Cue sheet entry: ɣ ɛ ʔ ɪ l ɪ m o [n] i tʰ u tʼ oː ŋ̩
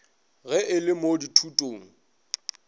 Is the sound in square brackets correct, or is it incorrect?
incorrect